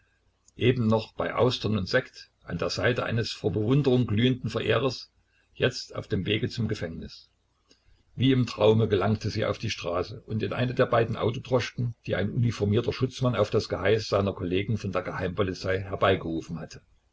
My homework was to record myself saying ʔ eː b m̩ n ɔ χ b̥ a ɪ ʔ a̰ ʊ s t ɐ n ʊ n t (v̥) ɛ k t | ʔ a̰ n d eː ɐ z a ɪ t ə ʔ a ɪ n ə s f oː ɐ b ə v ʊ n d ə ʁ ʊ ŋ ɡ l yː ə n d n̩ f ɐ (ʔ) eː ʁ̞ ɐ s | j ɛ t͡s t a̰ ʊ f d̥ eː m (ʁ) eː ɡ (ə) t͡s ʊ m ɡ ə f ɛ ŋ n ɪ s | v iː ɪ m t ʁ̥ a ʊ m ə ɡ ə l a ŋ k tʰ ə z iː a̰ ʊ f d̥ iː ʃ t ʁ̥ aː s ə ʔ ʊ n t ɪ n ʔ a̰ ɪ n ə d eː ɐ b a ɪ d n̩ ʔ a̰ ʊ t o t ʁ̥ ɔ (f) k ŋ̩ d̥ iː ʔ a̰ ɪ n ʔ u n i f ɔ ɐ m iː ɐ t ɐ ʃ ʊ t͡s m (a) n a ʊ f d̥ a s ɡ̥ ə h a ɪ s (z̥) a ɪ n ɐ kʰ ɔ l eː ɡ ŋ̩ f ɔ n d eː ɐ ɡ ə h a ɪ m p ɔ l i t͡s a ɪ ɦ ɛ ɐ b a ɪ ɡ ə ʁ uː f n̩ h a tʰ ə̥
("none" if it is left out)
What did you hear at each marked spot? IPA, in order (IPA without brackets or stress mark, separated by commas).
z̥, ʔ, v, ə, ʃ, a, z̥